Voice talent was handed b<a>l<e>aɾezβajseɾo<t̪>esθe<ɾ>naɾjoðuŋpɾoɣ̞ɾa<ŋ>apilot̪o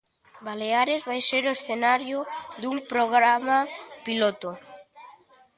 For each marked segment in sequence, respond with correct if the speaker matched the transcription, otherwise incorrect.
correct, correct, incorrect, incorrect, incorrect

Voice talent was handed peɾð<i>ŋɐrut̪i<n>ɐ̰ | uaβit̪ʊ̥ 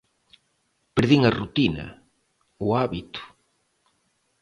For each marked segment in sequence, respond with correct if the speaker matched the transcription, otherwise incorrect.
correct, correct

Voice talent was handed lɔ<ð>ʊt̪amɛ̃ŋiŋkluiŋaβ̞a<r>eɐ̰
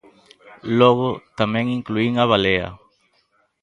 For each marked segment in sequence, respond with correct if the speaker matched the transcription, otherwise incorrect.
incorrect, incorrect

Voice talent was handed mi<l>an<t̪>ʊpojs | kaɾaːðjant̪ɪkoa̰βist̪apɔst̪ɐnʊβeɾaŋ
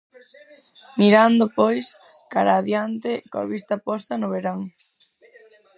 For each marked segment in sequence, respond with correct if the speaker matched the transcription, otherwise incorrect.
incorrect, incorrect

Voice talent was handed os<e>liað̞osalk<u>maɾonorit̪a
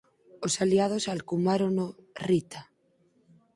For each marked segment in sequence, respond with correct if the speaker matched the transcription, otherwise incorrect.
incorrect, correct

